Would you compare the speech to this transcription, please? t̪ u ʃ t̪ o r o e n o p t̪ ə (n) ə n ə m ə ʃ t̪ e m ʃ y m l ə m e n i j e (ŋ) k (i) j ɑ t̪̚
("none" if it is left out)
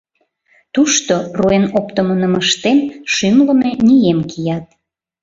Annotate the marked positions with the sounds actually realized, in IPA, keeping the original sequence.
m, m, i

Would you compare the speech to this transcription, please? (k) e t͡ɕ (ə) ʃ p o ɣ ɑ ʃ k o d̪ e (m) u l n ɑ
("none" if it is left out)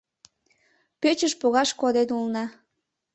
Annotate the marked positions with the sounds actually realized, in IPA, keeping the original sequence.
p, ə, n

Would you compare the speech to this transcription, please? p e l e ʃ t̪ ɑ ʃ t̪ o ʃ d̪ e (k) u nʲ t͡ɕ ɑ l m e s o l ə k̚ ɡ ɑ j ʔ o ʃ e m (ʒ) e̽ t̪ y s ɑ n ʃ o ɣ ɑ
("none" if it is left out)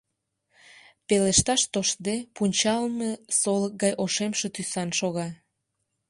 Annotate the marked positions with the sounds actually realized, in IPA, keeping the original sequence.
p, ʃ

